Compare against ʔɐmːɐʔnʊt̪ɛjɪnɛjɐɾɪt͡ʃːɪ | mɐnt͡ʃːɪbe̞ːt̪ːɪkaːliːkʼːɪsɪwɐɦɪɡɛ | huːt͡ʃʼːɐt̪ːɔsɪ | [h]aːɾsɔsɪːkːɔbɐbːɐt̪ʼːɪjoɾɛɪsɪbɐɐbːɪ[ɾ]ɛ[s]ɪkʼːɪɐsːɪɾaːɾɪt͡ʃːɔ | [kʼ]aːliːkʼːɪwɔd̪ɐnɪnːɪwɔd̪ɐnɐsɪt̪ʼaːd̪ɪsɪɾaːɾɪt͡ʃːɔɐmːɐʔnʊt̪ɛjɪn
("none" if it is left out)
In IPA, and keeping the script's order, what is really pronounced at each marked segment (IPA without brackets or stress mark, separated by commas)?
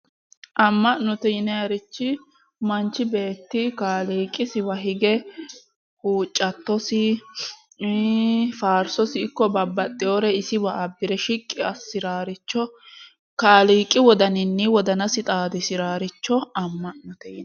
f, ɾ, ʃ, k